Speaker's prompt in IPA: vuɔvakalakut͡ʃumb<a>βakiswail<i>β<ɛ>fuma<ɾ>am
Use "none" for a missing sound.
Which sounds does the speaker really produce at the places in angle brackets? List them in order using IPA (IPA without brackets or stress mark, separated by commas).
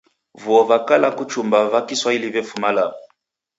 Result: a, i, ɛ, l